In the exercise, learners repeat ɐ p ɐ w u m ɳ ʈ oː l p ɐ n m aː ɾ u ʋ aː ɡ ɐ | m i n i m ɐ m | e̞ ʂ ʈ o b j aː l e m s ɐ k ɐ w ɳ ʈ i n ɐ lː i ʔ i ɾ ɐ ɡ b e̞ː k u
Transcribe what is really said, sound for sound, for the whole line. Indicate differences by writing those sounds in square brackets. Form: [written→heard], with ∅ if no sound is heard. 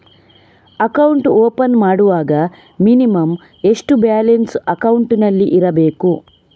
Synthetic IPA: ɐ [p→k] ɐ w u [m→∅] ɳ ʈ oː [l→∅] p ɐ n m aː [ɾ→ɽ] u ʋ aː ɡ ɐ | m i n i m ɐ m | e̞ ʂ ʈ [o→u] b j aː l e [m→n] s ɐ k ɐ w ɳ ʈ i n ɐ lː i ʔ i ɾ ɐ [ɡ→∅] b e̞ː k u